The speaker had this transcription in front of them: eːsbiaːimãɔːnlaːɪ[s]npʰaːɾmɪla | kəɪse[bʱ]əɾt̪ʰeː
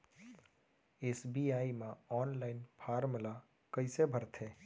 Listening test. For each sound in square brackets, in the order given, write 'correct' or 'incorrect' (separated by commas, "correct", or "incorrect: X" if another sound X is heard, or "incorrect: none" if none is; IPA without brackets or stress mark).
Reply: incorrect: none, correct